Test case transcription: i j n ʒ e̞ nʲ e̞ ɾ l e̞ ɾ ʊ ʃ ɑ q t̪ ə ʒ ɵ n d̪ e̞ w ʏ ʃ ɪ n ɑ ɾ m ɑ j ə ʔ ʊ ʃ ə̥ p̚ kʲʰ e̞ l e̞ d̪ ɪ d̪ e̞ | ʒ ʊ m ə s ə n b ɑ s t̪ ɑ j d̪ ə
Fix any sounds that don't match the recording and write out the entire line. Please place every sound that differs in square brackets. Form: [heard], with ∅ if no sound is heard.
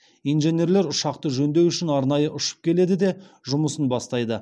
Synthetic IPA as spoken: i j n ʒ e̞ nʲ e̞ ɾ l e̞ ɾ ʊ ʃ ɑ q t̪ ə ʒ ɵ n d̪ e̞ w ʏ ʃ ɪ n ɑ ɾ [n] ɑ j ə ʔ ʊ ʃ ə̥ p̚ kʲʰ e̞ l e̞ d̪ ɪ d̪ e̞ | ʒ ʊ m ə s ə n b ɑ s t̪ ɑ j d̪ ə